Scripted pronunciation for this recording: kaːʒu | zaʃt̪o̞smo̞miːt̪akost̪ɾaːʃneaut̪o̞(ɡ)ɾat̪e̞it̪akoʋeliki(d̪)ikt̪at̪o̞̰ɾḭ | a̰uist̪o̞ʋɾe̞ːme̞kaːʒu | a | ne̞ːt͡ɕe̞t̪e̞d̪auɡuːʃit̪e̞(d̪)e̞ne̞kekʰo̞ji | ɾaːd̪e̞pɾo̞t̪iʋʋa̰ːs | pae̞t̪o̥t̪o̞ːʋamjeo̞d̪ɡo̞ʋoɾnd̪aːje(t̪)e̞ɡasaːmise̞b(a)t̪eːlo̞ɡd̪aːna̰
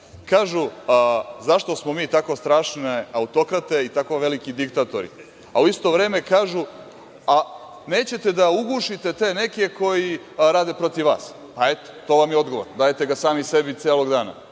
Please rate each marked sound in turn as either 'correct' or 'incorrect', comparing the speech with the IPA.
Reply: incorrect: k, correct, incorrect: t̪, correct, incorrect: i

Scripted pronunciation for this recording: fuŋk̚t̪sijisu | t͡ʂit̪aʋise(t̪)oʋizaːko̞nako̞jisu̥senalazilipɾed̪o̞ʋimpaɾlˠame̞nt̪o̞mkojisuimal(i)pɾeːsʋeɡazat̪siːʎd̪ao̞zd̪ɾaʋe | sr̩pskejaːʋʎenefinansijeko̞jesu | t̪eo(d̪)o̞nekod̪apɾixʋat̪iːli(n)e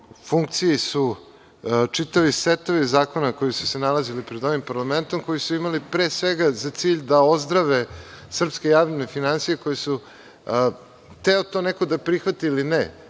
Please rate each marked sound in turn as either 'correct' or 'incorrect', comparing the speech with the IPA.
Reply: correct, correct, incorrect: t̪, correct

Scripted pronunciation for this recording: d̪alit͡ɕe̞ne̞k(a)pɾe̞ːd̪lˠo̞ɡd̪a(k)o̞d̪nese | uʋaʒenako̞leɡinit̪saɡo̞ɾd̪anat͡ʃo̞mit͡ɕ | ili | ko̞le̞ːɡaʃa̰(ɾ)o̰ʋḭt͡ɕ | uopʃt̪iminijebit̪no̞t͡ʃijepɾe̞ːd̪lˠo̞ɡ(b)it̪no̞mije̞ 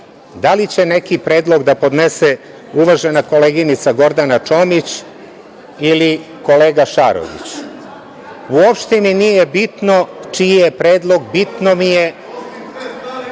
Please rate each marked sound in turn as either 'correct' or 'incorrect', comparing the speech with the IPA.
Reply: incorrect: i, incorrect: p, correct, correct

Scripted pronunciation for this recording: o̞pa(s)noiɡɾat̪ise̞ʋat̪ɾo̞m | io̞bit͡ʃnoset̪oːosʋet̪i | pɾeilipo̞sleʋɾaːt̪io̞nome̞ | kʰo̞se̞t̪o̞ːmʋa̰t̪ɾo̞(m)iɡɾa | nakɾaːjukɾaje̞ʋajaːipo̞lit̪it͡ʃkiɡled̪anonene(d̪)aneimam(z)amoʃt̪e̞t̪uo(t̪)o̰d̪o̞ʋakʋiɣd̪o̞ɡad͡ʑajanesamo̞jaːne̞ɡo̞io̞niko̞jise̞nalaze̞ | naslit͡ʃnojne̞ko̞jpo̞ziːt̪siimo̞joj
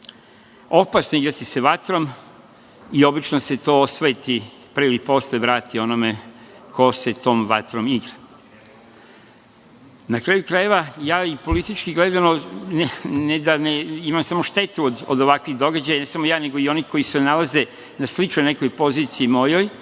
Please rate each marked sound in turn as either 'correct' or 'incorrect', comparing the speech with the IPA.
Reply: correct, correct, correct, incorrect: s, incorrect: d̪

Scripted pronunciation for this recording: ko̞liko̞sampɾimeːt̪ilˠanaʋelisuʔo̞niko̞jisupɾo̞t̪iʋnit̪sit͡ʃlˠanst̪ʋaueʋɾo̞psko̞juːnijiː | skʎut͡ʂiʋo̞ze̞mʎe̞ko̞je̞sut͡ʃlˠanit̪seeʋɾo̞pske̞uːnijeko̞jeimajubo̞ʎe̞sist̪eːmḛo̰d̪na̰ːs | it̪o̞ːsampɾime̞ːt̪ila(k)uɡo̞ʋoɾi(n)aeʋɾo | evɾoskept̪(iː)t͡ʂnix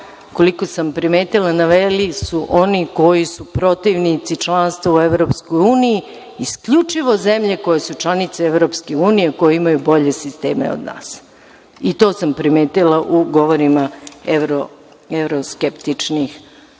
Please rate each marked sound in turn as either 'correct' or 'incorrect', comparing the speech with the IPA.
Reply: incorrect: ʔ, incorrect: m, incorrect: i

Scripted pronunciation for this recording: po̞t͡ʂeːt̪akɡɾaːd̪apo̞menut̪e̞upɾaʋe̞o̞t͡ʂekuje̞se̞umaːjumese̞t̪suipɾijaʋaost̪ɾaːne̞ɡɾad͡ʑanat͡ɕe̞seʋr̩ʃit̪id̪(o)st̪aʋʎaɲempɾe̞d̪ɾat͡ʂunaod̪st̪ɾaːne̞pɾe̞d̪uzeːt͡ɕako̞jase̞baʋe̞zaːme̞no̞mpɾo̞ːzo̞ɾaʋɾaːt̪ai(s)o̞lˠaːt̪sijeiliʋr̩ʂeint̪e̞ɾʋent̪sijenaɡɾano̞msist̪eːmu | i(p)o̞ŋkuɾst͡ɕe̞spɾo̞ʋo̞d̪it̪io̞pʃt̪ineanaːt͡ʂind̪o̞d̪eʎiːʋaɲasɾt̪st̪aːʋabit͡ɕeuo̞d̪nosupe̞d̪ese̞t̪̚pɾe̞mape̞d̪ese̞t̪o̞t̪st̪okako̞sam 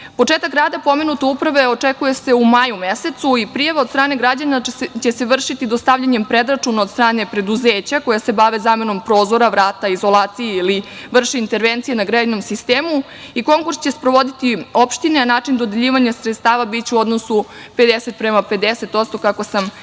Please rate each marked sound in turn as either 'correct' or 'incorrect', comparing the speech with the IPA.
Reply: correct, incorrect: z, incorrect: k

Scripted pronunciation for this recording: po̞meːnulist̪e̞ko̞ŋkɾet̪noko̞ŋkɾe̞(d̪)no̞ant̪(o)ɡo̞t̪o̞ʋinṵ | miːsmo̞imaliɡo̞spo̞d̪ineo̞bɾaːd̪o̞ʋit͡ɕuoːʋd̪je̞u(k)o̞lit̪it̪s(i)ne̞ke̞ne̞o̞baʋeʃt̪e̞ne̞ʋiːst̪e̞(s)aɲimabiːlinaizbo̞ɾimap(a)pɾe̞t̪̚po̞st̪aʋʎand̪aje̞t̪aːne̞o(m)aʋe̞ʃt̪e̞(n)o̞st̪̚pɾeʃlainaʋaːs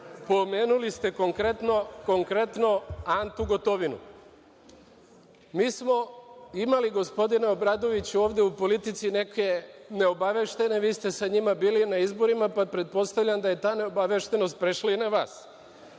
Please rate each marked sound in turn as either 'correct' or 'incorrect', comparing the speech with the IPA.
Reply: incorrect: t̪, incorrect: u, incorrect: p, correct, correct, correct, incorrect: b, correct

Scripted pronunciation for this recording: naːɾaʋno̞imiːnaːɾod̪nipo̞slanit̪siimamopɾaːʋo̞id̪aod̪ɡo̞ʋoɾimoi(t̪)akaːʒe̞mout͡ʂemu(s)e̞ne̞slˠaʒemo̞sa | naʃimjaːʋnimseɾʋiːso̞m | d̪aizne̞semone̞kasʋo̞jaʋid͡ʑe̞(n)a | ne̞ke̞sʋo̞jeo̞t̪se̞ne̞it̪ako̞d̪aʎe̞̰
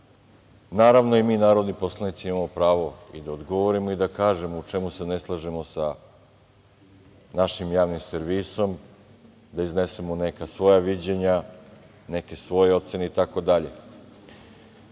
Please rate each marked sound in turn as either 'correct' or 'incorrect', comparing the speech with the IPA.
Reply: incorrect: d̪, correct, incorrect: ɲ

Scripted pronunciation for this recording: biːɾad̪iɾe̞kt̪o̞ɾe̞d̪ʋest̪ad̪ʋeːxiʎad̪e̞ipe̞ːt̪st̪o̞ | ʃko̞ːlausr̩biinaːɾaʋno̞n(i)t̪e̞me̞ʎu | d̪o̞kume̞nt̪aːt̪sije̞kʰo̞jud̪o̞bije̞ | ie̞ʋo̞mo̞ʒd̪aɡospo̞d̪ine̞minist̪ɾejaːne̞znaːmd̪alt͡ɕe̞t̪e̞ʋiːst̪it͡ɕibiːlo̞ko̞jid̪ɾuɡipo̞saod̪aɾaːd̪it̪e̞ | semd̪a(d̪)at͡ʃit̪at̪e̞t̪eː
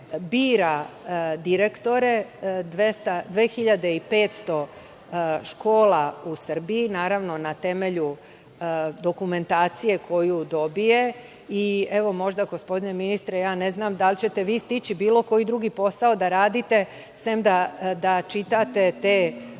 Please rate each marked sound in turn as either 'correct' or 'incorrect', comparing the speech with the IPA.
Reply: incorrect: a, correct

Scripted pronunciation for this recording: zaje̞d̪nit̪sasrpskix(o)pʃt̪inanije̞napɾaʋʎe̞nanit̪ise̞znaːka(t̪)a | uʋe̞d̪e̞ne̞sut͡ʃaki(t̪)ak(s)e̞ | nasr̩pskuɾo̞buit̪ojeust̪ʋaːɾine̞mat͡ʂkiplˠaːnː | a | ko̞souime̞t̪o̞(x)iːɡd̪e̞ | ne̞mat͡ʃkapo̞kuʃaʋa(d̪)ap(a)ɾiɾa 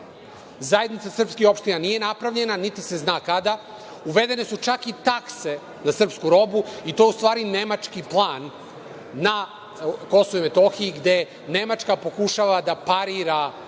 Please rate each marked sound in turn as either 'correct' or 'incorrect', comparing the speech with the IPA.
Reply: correct, incorrect: d̪, correct, correct, correct, correct, correct

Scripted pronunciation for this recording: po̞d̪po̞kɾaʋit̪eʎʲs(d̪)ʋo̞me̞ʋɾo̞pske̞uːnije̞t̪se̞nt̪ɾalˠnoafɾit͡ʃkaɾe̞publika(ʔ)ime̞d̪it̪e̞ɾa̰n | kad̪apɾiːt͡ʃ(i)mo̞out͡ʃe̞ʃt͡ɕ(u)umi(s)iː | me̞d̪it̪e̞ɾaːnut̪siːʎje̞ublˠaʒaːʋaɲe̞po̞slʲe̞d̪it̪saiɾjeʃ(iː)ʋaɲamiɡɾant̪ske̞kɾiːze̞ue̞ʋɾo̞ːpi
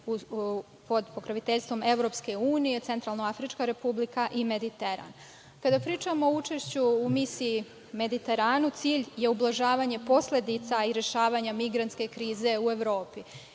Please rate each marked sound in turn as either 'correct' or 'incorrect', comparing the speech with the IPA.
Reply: incorrect: t̪, correct, incorrect: a, correct, correct, incorrect: aː

